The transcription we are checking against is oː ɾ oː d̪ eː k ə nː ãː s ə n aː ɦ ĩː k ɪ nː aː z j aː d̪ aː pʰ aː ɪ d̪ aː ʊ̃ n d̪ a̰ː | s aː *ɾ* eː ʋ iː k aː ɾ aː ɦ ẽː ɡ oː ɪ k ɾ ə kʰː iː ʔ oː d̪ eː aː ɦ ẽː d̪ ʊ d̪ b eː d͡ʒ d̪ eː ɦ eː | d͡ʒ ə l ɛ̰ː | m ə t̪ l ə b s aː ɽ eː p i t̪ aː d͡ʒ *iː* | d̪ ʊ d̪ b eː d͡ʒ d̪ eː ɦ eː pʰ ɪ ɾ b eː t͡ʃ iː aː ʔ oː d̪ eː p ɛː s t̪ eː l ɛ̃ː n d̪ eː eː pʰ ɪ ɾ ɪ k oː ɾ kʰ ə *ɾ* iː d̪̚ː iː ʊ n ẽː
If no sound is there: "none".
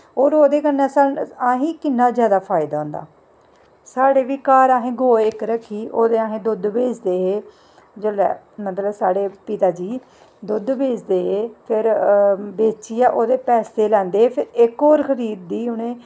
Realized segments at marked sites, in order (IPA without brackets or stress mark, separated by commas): ɽ, iː, ɾ